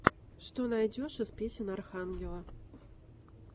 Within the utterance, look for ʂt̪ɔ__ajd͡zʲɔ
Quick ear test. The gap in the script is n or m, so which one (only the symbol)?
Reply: n